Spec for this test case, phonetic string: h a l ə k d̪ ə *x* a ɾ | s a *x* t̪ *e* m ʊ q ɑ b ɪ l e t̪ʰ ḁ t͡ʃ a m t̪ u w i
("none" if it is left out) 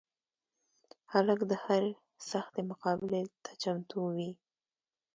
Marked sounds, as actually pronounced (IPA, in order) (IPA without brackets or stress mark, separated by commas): h, x, e